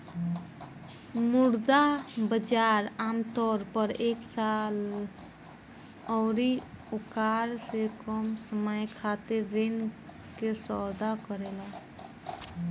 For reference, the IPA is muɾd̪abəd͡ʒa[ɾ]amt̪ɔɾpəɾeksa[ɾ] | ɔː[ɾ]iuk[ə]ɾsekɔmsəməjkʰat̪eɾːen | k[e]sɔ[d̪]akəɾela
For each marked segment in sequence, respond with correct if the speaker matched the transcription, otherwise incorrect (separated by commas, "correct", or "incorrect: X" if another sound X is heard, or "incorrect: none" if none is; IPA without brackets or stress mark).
correct, incorrect: l, correct, incorrect: a, correct, correct